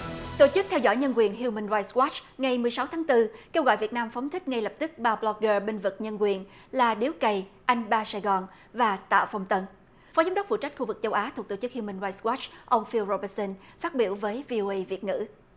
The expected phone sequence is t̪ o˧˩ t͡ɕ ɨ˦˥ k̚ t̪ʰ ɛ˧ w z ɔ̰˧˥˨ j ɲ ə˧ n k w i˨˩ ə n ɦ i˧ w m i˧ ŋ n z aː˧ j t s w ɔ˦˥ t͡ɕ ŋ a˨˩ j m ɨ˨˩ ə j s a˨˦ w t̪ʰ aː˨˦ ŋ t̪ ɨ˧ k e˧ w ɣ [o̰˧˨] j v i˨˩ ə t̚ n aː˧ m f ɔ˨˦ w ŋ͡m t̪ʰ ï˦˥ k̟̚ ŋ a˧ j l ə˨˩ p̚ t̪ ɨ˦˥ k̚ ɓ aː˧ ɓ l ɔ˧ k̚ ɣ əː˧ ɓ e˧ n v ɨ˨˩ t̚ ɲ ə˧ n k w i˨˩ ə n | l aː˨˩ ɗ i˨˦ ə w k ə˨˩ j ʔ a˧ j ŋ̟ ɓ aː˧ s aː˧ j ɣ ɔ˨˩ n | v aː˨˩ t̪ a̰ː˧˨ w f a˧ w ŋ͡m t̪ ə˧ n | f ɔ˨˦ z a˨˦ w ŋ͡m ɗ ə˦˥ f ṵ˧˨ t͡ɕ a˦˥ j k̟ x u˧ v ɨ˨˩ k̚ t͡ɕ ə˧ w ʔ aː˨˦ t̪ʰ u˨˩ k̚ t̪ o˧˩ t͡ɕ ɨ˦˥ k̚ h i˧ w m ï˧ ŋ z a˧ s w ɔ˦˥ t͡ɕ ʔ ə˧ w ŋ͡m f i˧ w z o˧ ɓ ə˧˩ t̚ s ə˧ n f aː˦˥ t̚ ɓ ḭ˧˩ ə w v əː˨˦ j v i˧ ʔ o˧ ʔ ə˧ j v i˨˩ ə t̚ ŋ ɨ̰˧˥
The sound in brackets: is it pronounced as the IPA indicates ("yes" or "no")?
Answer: no